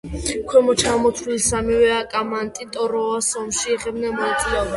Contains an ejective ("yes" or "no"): yes